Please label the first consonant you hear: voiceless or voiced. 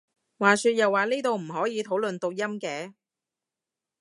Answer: voiced